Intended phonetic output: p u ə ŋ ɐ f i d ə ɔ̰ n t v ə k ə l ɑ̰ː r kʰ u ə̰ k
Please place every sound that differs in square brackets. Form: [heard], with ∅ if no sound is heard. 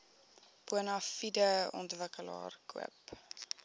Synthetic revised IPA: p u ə [n] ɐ f i d ə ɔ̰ n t v ə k ə l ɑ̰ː r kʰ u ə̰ [p]